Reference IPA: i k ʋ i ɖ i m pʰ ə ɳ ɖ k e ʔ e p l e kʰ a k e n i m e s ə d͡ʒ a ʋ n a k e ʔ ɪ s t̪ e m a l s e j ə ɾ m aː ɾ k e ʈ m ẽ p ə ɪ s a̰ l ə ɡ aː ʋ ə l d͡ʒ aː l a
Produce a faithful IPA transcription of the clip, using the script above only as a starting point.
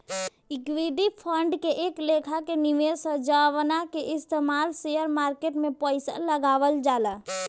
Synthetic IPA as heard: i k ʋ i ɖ i pʰ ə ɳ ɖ k e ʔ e k l e kʰ a k e n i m e s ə d͡ʒ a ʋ n a k e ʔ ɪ s t̪ e m a l s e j ə ɾ m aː ɾ k e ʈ m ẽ p ə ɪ s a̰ l ə ɡ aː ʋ ə l d͡ʒ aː l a